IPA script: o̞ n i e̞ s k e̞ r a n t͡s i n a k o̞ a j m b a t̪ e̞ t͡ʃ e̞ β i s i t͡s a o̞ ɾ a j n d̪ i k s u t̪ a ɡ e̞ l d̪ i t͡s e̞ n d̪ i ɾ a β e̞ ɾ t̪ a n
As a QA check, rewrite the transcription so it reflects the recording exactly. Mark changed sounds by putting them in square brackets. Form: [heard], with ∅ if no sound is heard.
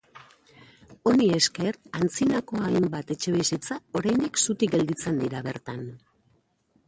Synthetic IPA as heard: o̞ n i e̞ s k e̞ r a n t͡s i n a k o̞ a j m b a t̪ e̞ t͡ʃ e̞ β i s i t͡s a o̞ ɾ a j n d̪ i k s u t̪ [i] ɡ e̞ l d̪ i t͡s e̞ n d̪ i ɾ a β e̞ ɾ t̪ a n